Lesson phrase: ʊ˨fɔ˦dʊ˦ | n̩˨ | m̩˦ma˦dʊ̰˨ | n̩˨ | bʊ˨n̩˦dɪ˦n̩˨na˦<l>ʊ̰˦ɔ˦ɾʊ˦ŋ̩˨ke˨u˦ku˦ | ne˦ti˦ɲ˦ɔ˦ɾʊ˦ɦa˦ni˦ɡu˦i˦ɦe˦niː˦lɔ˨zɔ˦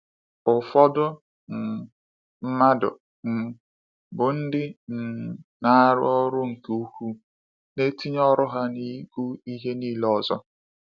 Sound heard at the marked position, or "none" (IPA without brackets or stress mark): ɾ